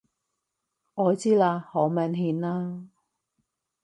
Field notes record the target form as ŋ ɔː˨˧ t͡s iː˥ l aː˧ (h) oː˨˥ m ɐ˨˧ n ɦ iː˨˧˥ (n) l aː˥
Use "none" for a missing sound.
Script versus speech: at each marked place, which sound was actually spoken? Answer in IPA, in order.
h, n

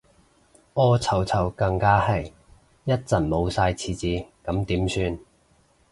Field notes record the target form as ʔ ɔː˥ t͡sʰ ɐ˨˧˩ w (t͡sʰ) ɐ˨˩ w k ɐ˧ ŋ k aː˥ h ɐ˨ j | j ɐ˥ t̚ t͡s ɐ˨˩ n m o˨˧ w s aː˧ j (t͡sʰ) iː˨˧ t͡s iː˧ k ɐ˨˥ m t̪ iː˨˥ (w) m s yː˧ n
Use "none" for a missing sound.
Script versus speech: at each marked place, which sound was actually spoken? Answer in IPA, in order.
t͡sʰ, t͡sʰ, none

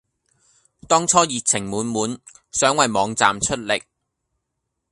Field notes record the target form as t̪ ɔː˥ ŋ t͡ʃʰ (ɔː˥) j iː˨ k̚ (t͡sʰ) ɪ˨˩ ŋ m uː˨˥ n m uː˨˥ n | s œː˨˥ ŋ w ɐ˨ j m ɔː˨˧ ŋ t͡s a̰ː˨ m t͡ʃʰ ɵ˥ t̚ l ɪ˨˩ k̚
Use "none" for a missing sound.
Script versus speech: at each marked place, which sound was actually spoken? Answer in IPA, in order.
ɔː˥, t͡sʰ

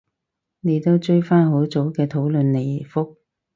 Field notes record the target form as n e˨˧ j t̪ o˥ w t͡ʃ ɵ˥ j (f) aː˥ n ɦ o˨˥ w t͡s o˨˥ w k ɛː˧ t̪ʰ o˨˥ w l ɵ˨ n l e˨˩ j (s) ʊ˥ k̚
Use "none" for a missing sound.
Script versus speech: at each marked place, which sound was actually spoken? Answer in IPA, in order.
f, f

